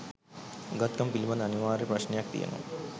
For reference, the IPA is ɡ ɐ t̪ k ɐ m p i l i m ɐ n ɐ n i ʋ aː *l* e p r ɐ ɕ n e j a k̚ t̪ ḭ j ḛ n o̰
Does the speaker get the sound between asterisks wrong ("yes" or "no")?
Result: yes